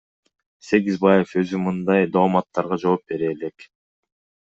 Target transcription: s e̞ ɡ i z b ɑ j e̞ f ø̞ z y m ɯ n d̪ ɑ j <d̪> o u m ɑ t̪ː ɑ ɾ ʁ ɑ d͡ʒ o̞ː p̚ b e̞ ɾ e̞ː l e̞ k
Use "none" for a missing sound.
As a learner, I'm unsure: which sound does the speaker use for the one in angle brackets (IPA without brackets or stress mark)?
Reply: d̪